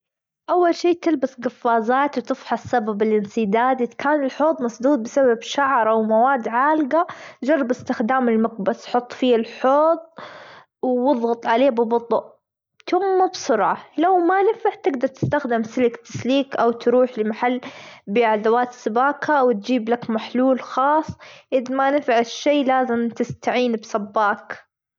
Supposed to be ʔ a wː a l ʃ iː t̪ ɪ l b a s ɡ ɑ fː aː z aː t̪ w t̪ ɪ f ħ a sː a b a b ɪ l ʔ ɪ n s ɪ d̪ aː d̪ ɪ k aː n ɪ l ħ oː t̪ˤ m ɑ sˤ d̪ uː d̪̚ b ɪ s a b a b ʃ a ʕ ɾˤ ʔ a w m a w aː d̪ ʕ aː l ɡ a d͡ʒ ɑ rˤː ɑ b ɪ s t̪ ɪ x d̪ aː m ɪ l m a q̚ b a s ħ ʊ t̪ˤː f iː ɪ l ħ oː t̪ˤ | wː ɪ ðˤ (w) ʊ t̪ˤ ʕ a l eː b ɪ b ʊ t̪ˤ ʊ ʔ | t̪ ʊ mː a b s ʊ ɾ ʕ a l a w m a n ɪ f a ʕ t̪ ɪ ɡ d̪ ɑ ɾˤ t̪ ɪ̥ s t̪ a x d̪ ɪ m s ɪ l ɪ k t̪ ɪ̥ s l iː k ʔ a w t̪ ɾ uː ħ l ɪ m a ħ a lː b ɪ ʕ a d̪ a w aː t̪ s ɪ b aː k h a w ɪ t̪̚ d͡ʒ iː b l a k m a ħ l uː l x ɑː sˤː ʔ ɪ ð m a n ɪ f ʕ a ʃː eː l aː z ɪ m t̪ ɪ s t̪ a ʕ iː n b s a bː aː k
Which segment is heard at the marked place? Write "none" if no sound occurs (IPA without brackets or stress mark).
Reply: ɣ